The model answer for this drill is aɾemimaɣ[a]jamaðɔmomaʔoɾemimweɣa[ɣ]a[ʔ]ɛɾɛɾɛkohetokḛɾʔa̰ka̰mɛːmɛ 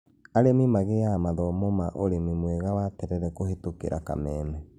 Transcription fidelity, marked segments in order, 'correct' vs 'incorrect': incorrect: e, incorrect: w, incorrect: t

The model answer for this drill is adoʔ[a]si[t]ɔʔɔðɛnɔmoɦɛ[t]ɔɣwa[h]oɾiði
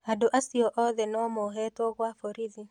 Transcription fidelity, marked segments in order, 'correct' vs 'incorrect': correct, incorrect: none, correct, incorrect: f

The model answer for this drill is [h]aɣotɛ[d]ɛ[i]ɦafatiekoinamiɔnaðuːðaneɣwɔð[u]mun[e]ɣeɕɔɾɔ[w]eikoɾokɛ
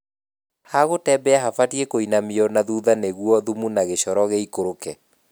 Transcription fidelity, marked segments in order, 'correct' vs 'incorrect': correct, incorrect: b, incorrect: a, correct, incorrect: a, incorrect: ɣ

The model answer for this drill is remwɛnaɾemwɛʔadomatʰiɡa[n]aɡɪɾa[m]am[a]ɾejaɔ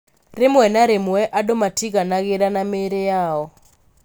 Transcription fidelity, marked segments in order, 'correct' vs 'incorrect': correct, incorrect: n, incorrect: e

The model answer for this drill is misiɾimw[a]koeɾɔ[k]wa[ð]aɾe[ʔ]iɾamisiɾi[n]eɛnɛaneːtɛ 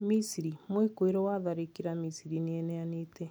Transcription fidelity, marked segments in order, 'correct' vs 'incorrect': incorrect: e, incorrect: none, correct, incorrect: k, correct

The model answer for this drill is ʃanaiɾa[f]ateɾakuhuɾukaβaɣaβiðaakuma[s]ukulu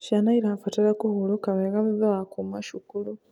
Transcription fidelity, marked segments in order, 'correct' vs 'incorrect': correct, incorrect: ʃ

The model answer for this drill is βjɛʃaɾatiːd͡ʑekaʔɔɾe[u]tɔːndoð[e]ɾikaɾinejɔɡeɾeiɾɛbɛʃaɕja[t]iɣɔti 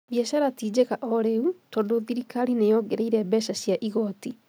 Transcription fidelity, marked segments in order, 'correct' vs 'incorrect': correct, incorrect: i, incorrect: ʔ

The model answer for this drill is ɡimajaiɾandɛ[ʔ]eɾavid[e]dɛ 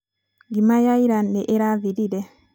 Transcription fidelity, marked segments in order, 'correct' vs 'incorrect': correct, incorrect: i

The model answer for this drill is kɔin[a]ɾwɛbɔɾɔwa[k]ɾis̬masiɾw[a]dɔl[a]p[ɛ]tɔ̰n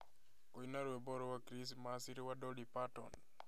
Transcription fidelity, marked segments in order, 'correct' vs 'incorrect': correct, correct, correct, incorrect: i, incorrect: a

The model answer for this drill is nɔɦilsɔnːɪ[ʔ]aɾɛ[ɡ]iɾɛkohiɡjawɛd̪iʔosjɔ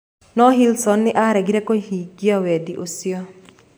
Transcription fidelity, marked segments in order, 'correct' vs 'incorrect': correct, correct

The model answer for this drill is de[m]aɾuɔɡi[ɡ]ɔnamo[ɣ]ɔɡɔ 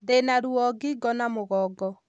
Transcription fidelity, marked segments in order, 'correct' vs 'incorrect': incorrect: n, correct, correct

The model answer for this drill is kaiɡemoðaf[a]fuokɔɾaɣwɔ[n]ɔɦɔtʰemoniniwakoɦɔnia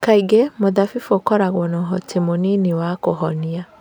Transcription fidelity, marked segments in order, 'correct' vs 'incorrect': incorrect: i, correct

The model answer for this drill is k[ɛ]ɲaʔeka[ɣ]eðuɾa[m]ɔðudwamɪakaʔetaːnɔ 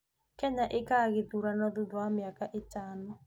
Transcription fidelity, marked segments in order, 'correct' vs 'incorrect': correct, correct, incorrect: n

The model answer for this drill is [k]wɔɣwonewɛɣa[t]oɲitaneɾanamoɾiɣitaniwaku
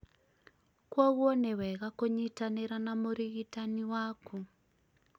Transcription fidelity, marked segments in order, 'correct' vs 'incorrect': correct, incorrect: k

